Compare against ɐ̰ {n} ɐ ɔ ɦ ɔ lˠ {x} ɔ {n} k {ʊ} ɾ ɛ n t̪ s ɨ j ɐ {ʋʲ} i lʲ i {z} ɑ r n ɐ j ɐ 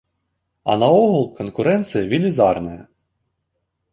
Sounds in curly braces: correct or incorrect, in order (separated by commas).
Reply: correct, incorrect, correct, correct, correct, correct